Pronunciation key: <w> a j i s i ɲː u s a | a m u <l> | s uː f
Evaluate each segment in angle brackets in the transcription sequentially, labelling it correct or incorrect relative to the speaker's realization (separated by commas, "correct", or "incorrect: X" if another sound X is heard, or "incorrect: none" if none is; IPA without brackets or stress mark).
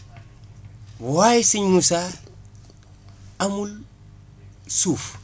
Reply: correct, correct